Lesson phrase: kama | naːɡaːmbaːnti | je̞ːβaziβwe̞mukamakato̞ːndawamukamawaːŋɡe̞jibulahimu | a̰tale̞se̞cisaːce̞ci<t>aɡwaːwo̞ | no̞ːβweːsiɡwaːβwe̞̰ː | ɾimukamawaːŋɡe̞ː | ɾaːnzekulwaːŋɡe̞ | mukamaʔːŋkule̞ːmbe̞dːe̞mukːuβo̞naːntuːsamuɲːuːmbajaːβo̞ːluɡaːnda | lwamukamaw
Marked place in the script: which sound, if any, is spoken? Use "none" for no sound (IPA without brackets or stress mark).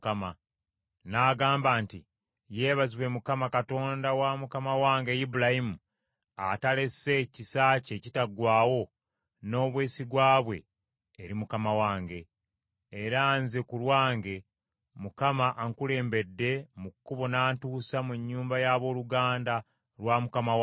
t